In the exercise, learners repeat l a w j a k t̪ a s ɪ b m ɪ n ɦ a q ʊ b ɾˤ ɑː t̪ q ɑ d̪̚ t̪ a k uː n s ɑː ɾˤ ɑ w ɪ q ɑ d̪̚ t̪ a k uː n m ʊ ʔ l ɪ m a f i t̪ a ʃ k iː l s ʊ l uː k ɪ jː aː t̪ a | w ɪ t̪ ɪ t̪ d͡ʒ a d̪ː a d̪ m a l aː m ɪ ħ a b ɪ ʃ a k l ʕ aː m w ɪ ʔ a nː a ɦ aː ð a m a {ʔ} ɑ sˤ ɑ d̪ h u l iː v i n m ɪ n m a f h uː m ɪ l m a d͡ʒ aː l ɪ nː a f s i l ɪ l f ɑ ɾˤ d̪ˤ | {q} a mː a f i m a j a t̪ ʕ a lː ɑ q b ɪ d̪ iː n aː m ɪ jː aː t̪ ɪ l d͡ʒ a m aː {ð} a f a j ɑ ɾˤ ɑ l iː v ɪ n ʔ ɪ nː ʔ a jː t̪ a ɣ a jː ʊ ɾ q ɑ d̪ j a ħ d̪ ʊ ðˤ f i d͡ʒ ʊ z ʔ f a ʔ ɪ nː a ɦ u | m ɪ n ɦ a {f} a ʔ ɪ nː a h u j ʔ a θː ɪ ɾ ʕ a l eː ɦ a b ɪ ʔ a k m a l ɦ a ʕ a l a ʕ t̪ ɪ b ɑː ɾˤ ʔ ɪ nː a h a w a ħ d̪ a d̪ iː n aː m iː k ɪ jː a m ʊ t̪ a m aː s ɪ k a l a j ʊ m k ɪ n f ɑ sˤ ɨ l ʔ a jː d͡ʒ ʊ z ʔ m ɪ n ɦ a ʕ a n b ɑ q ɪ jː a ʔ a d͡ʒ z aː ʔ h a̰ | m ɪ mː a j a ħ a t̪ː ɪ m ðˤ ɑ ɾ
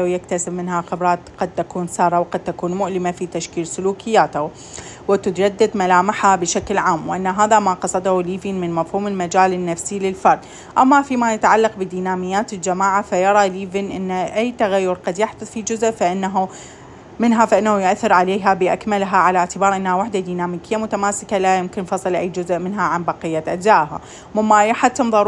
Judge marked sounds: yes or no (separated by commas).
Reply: no, no, no, yes